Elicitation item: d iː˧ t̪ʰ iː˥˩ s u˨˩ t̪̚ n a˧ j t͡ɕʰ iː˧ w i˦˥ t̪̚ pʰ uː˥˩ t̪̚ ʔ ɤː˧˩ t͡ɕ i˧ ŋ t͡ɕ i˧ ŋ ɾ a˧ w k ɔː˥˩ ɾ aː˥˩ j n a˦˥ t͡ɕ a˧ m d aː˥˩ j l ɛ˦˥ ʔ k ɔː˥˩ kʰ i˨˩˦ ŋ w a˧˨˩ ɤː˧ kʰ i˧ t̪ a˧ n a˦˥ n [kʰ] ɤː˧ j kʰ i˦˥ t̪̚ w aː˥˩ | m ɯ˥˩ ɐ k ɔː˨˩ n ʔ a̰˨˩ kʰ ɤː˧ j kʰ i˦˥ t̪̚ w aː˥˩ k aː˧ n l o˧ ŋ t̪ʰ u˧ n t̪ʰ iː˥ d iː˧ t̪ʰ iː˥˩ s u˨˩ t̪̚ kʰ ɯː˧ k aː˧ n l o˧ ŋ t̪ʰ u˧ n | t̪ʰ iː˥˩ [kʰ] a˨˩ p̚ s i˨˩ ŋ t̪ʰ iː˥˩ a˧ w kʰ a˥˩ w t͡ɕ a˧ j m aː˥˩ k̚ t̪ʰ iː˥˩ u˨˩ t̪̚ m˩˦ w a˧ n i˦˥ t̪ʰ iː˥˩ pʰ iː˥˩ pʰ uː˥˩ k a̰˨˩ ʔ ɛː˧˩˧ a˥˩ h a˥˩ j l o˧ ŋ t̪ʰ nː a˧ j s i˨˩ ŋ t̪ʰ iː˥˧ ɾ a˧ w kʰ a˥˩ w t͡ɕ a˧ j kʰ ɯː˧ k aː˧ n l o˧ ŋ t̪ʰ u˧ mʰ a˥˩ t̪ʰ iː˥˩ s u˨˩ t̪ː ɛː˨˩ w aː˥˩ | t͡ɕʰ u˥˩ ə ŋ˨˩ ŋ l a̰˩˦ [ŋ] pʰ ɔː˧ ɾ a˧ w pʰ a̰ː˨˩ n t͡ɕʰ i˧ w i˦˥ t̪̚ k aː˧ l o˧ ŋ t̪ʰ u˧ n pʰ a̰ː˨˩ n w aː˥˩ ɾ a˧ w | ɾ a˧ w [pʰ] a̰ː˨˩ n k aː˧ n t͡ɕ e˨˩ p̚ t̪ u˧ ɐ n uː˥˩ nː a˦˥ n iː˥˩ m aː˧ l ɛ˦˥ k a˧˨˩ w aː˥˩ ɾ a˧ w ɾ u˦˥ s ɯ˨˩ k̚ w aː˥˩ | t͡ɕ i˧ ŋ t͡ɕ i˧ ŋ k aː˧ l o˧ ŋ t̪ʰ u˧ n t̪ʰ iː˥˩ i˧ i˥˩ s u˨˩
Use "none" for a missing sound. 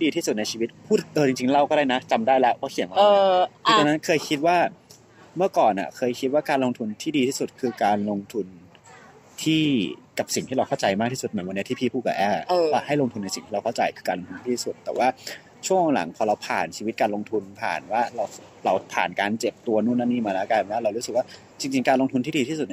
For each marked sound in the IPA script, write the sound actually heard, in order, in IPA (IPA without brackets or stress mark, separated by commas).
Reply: kʰ, k, ŋ, pʰ